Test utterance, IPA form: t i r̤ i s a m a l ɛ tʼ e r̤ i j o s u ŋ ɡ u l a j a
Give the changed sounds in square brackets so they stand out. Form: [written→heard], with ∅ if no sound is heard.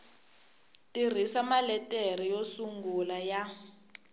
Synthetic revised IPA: t i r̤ i s a m a l ɛ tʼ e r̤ i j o s u ŋ ɡ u l a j a